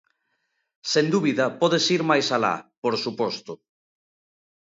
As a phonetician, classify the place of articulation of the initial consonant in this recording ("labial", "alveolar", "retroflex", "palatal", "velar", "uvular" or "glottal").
alveolar